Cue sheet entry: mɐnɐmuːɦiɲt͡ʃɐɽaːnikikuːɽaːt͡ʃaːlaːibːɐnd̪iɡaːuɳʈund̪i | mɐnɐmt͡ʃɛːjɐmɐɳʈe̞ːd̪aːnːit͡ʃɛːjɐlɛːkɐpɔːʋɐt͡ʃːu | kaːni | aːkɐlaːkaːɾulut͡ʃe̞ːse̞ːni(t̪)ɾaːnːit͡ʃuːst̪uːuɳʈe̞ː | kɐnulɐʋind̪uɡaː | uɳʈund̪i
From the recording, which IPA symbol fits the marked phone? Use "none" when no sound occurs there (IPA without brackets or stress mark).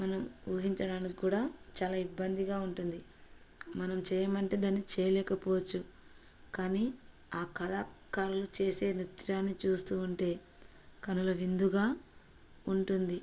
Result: t̪